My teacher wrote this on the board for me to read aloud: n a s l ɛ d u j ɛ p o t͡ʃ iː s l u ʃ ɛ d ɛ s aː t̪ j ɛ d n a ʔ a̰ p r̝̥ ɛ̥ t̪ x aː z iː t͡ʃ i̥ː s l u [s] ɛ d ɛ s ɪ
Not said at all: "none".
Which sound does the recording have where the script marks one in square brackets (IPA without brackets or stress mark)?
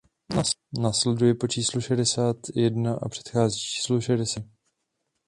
ʃ